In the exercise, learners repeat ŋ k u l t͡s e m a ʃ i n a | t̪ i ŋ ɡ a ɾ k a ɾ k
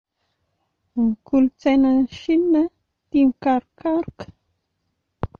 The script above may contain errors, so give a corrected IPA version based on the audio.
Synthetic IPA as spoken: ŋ k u l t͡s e n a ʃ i n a | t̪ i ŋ k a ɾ k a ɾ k